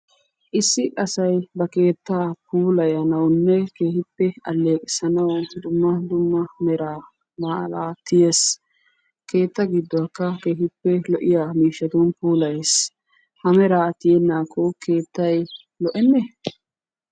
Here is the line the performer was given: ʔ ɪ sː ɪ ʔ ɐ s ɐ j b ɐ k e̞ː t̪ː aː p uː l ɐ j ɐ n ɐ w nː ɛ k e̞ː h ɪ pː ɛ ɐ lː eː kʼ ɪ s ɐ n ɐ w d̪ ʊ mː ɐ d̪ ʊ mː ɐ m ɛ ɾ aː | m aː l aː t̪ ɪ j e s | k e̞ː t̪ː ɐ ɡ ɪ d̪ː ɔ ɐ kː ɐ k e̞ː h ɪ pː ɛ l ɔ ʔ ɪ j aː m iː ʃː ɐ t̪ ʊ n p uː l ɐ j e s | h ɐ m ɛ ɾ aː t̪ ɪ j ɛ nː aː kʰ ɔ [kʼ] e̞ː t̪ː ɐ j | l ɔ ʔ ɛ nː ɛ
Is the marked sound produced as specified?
no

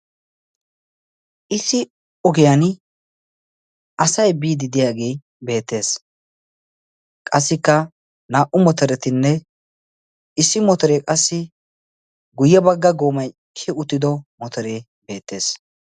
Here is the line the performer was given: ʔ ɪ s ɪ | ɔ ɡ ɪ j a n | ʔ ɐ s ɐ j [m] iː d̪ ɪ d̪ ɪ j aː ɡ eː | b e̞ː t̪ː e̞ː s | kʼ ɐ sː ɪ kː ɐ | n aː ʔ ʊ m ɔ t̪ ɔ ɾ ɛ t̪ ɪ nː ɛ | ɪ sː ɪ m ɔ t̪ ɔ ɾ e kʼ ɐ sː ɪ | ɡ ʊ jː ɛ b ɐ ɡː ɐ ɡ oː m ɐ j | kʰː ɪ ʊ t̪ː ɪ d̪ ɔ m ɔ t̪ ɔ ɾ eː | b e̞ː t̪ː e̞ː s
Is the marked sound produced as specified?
no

